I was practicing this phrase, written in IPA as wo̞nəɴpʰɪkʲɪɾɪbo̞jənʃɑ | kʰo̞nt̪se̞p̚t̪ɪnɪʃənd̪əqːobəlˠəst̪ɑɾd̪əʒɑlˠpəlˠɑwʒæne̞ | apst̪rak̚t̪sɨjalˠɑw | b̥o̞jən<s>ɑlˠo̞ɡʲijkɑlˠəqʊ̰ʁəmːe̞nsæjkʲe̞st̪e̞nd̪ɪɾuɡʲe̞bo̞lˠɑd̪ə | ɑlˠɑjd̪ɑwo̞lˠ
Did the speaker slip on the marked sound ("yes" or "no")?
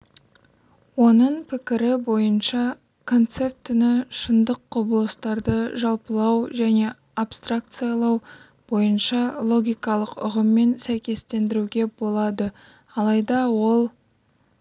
yes